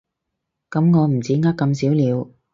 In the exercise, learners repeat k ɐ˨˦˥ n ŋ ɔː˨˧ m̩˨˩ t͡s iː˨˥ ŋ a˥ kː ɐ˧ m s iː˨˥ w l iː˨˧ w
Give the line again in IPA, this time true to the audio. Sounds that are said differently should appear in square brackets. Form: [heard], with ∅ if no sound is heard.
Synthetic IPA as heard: k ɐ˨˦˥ [m] ŋ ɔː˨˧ m̩˨˩ t͡s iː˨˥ ŋ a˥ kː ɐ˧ m s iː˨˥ w l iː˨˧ w